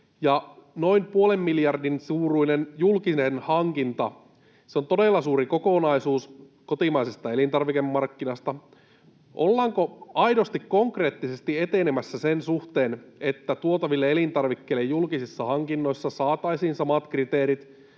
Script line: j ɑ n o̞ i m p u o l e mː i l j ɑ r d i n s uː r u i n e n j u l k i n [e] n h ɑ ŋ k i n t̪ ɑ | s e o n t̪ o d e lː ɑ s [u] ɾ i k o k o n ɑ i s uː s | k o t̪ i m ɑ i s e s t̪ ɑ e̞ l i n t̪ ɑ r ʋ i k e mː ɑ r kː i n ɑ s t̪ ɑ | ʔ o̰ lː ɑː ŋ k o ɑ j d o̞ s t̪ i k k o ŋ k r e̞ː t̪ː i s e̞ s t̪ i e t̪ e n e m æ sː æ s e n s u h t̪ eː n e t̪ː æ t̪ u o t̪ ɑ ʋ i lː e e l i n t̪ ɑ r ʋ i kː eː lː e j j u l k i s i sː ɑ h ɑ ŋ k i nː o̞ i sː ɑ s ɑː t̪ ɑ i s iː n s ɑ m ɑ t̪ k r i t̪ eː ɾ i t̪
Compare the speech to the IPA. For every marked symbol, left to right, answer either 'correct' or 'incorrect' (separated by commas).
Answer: correct, incorrect